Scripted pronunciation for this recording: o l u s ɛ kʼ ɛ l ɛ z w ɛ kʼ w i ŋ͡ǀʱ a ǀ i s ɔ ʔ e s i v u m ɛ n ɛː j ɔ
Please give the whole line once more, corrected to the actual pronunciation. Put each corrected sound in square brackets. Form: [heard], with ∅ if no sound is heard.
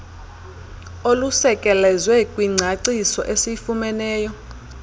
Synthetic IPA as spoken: o l u s ɛ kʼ ɛ l ɛ z w ɛ kʼ w i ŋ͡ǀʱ a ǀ i s ɔ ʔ e s i [f] u m ɛ n ɛː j ɔ